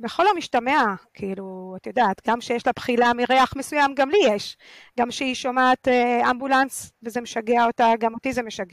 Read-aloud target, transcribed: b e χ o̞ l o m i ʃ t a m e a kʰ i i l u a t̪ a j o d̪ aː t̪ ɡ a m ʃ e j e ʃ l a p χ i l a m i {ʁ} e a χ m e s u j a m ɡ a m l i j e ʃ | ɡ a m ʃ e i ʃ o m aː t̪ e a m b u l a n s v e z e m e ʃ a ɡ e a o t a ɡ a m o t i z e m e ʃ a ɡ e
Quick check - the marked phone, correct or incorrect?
correct